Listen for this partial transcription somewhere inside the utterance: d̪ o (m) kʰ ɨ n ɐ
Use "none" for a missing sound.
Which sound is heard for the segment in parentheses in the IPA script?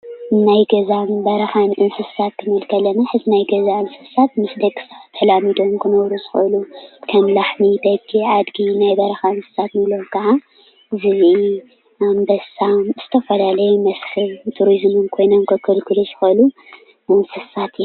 m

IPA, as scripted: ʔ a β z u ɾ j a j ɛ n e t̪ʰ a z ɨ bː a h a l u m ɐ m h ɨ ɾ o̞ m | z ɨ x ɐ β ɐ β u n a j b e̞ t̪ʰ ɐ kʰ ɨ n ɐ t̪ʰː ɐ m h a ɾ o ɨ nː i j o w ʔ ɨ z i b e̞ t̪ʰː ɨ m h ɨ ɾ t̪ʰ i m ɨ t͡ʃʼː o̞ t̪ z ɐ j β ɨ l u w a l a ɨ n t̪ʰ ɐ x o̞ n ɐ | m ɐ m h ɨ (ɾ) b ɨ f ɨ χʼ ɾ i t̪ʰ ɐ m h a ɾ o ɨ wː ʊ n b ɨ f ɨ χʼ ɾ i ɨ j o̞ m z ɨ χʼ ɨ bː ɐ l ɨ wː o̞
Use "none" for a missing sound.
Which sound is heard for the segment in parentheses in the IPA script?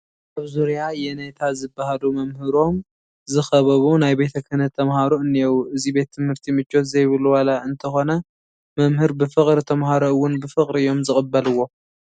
ɾ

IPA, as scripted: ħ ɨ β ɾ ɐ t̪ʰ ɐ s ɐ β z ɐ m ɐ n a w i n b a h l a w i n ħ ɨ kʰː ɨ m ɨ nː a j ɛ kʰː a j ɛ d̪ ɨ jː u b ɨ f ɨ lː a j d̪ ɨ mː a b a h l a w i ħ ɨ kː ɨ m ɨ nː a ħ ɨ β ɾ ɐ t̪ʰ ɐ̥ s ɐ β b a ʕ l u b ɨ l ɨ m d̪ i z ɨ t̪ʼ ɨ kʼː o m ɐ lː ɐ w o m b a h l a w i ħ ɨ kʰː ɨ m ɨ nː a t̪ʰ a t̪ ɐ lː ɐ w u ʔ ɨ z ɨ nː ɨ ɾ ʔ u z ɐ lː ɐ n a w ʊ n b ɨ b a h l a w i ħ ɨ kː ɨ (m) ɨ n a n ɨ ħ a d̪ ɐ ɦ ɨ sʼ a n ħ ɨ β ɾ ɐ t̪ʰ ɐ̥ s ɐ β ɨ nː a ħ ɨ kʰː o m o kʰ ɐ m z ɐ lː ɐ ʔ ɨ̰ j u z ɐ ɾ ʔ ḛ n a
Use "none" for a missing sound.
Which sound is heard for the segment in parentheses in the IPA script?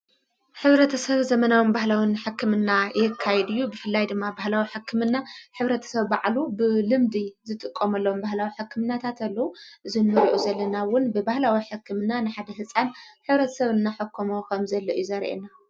m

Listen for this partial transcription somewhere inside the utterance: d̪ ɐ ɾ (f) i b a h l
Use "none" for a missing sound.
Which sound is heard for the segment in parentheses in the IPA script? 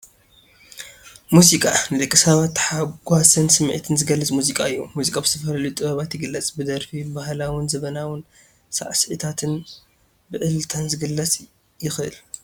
f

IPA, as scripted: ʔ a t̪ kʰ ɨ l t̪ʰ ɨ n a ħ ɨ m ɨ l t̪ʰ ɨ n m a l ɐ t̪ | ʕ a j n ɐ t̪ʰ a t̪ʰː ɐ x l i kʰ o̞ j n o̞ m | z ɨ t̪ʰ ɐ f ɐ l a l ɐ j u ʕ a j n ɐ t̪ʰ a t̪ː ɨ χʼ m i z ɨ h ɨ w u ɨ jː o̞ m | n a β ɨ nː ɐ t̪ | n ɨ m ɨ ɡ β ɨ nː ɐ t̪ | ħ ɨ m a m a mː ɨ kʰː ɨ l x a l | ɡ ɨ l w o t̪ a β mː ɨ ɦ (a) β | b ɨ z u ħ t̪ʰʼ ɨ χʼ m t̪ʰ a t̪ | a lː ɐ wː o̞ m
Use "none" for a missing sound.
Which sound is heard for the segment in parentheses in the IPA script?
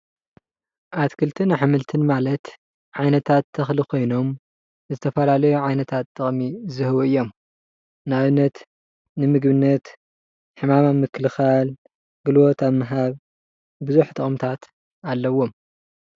a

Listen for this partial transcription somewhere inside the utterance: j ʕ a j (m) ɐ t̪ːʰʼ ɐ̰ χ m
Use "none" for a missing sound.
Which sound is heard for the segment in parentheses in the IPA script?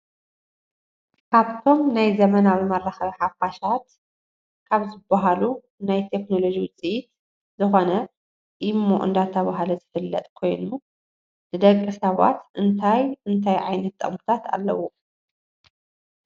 n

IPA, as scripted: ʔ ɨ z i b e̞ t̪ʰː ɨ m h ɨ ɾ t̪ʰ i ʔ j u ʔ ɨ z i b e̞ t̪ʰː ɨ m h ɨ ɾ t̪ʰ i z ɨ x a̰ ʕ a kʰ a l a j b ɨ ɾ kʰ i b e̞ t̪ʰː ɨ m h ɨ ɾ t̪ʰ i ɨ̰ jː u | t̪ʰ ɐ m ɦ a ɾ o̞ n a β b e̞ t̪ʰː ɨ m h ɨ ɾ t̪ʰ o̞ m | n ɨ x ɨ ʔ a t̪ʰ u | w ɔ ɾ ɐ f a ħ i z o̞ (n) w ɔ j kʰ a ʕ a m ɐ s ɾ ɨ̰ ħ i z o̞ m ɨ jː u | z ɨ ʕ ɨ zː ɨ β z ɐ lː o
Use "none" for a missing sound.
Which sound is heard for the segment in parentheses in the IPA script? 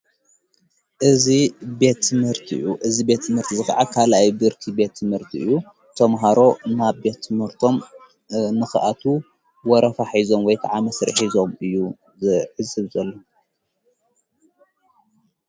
m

